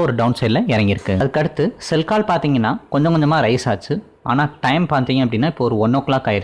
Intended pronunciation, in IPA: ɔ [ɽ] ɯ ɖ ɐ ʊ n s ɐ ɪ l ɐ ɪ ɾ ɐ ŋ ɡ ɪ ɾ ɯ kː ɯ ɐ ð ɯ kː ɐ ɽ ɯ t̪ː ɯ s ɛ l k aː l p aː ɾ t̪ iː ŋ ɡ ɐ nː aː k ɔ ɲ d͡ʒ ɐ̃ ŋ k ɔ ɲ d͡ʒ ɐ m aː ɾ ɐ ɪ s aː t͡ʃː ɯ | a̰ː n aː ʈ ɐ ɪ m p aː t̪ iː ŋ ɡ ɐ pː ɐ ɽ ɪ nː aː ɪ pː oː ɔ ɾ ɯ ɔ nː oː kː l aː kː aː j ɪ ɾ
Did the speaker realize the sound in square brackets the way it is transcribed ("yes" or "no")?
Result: no